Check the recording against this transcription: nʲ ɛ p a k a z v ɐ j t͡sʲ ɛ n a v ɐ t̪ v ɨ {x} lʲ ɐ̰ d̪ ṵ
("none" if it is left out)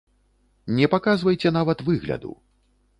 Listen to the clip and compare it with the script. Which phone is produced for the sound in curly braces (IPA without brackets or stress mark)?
ɣ